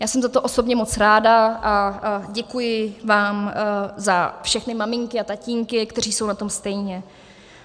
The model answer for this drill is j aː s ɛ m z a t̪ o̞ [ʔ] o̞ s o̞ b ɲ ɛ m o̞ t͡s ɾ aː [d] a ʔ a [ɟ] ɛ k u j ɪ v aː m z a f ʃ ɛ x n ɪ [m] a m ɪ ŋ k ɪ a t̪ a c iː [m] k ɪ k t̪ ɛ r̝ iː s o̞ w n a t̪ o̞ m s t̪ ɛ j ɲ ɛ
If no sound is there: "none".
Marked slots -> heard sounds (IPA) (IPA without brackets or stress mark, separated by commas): ʔ, d, ɟ, m, ŋ